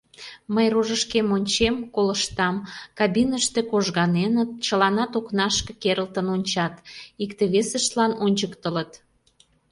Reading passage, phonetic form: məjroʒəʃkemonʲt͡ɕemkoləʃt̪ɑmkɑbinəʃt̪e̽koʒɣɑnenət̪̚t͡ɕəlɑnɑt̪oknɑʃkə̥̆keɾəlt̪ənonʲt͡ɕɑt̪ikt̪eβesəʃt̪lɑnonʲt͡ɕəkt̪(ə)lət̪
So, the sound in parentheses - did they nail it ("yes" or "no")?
yes